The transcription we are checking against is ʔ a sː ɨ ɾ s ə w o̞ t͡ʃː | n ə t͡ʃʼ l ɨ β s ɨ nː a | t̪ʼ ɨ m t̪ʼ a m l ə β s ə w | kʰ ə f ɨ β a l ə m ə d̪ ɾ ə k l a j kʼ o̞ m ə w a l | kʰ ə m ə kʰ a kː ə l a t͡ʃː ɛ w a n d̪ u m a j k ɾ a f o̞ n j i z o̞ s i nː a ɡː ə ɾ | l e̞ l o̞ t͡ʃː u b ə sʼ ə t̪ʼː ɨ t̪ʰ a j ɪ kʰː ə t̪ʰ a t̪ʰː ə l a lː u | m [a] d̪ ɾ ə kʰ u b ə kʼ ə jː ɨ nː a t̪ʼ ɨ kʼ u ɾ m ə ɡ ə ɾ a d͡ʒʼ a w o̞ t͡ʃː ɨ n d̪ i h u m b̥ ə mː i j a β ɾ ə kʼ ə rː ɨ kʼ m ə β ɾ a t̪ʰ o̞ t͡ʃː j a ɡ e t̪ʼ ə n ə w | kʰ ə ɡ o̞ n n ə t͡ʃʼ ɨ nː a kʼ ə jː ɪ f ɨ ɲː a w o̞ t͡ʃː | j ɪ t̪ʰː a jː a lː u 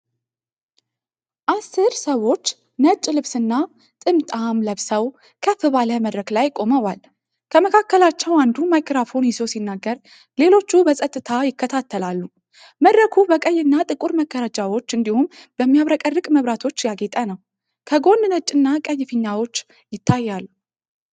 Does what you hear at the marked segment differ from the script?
yes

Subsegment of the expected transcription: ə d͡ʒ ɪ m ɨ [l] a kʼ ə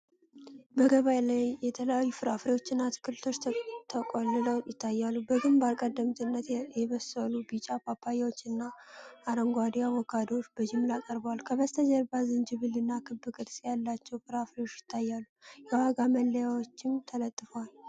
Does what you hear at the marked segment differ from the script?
no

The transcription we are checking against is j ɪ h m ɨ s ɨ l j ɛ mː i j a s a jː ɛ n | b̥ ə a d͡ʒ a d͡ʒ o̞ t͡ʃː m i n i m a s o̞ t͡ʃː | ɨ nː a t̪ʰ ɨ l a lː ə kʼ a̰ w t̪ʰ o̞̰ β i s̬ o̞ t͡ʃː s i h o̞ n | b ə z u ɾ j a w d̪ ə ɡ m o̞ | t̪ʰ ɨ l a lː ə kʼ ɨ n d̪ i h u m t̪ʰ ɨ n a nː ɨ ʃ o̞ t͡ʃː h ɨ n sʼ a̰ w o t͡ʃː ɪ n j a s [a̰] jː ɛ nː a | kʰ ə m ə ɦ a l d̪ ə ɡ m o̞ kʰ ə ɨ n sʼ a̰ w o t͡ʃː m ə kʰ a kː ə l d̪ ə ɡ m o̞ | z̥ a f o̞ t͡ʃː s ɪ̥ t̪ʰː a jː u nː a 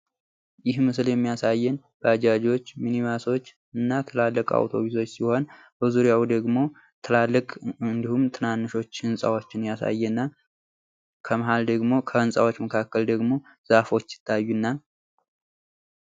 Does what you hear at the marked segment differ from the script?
no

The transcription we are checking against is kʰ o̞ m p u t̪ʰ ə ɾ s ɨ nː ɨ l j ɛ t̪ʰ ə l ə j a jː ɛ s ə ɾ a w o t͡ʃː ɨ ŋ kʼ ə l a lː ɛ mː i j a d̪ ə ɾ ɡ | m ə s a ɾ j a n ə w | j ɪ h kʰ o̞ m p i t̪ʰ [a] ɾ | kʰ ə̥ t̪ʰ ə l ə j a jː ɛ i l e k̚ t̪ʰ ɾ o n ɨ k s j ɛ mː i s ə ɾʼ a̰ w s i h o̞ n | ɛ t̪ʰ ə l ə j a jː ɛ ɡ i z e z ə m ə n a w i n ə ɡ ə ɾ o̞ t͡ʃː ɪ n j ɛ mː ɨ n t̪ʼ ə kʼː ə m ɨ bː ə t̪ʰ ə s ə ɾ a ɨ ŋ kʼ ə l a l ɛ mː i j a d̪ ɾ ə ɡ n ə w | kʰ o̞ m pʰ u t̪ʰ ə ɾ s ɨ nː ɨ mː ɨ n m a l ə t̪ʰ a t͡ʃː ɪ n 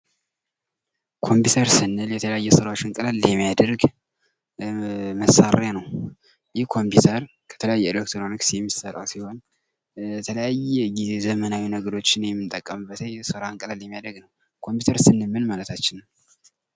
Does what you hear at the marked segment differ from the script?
yes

